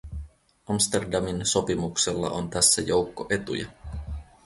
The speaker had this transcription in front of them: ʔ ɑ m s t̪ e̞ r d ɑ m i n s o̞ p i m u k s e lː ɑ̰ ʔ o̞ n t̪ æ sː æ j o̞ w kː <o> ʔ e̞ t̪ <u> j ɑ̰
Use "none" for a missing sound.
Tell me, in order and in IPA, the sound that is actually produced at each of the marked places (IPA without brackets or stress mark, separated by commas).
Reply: o, u